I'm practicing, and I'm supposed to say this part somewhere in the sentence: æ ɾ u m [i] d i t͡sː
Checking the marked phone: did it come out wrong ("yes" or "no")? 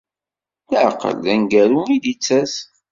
no